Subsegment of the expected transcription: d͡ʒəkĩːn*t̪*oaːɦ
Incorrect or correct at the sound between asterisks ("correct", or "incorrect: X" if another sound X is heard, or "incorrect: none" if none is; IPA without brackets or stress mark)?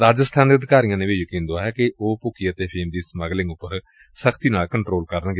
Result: incorrect: d̪